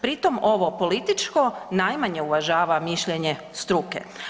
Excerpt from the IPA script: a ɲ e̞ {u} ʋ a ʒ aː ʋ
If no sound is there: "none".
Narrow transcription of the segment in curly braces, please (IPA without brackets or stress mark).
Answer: u